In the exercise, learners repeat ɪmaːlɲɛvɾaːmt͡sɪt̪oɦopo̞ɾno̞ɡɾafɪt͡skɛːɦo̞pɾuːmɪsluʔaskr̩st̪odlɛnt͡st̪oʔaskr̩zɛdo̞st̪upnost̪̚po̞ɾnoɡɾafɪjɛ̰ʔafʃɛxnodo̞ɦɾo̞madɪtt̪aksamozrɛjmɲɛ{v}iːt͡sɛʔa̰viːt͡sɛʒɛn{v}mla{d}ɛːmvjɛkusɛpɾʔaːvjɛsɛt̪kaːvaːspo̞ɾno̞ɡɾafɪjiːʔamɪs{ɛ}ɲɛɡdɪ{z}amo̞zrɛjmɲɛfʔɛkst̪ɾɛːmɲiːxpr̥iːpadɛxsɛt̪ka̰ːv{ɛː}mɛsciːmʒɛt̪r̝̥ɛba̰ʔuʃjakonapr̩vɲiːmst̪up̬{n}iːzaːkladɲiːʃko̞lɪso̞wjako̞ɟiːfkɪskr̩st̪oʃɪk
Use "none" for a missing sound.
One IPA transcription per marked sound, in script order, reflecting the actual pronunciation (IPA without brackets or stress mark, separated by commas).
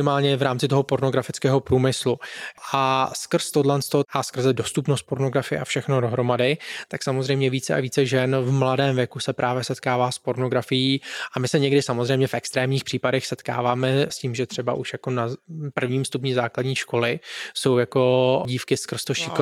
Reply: v, v, d, ɛ, s, aː, ɲ